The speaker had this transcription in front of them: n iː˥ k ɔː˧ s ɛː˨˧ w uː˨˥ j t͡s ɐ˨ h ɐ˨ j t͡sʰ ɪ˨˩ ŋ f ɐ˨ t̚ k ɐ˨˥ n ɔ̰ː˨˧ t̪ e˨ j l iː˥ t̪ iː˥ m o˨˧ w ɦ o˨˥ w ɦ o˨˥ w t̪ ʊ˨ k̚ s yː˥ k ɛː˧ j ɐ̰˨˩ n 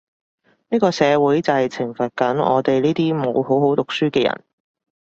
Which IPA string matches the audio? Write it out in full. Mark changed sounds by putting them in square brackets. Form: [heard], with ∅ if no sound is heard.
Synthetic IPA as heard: n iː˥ k ɔː˧ s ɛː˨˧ w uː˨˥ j t͡s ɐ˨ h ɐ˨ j t͡sʰ ɪ˨˩ ŋ f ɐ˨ t̚ k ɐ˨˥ n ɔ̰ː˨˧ t̪ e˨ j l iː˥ t̪ iː˥ m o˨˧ w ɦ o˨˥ w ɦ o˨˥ w t̪ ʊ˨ k̚ s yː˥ k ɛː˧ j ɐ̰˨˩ n